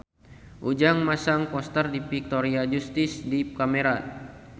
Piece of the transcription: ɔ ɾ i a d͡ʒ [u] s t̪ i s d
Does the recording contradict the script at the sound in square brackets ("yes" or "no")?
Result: no